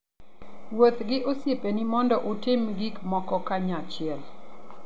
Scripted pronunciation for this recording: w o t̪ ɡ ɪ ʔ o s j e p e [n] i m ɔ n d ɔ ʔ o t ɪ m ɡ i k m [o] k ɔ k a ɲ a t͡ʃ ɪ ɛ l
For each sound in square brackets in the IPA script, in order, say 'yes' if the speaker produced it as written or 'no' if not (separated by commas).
yes, no